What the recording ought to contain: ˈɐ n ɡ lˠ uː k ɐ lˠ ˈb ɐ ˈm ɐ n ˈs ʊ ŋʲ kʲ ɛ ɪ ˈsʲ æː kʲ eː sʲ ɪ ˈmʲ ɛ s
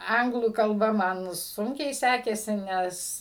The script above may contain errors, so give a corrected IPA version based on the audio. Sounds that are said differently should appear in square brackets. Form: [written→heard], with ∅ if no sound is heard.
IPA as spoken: ˈɐ [n→ŋ] ɡ lˠ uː k ɐ lˠ ˈb ɐ ˈm ɐ n ˈs ʊ ŋʲ kʲ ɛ ɪ ˈsʲ æː kʲ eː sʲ ɪ [ˈmʲ→ˈnʲ] ɛ s